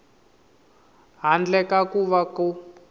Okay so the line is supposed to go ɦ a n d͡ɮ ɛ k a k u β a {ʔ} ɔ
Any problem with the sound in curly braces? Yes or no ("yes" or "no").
yes